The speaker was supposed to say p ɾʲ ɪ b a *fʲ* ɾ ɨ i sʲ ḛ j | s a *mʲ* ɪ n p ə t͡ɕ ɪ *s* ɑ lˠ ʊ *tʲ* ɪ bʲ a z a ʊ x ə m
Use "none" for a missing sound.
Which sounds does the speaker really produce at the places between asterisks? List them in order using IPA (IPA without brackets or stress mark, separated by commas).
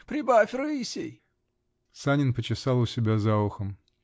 fʲ, nʲ, s, sʲ